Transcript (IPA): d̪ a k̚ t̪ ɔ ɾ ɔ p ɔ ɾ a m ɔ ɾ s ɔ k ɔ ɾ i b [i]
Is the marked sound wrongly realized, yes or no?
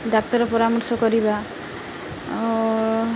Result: yes